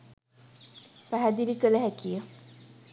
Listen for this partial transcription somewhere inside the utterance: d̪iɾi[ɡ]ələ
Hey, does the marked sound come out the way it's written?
no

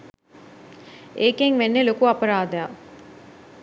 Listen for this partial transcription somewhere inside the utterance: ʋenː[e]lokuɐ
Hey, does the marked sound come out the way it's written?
yes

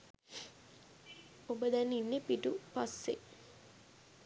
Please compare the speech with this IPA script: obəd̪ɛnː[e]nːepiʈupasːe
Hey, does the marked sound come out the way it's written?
no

